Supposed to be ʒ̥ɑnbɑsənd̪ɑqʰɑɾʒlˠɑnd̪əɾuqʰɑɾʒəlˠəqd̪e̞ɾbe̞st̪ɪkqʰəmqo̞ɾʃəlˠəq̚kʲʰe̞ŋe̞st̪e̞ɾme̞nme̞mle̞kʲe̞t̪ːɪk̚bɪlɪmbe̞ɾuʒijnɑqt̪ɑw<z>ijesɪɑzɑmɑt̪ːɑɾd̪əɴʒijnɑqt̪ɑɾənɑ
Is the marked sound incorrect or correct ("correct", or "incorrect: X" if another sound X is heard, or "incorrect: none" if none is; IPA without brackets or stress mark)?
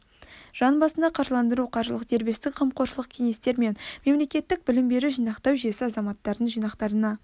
incorrect: ʒ